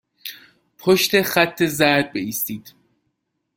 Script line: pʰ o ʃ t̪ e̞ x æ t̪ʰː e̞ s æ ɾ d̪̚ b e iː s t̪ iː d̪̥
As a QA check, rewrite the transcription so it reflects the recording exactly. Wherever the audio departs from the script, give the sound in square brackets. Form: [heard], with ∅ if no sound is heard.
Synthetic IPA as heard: pʰ o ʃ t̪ e̞ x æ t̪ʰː e̞ [z] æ ɾ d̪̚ b e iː s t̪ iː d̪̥